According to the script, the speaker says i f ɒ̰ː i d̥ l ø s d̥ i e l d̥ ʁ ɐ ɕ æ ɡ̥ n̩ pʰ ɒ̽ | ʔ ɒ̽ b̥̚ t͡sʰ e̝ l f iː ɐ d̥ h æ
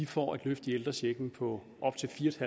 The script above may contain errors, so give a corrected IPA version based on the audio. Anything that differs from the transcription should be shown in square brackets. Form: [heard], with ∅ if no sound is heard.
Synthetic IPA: i f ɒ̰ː [æ] d̥ l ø [f] d̥ i e l d̥ ʁ ɐ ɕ [e] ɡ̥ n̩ pʰ ɒ̽ | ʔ ɒ̽ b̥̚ t͡sʰ e̝ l f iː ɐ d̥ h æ